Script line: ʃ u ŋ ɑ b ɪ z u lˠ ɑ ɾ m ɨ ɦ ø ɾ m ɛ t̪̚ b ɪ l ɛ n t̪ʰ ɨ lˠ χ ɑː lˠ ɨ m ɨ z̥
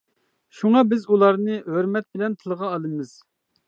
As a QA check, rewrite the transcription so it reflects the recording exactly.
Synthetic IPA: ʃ u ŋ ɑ b ɪ z u lˠ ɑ ɾ n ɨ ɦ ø ɾ m ɛ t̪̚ b ɪ l ɛ n t̪ʰ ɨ lˠ ʁ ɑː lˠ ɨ m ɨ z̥